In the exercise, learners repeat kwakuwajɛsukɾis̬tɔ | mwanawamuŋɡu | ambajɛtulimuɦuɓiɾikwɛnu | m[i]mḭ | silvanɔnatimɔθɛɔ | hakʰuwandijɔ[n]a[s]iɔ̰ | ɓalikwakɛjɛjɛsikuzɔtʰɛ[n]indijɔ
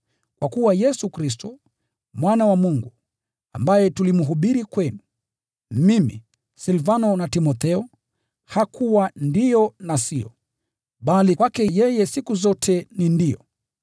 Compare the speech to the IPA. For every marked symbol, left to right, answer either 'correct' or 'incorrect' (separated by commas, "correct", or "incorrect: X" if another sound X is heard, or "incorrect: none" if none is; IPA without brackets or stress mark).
correct, correct, correct, correct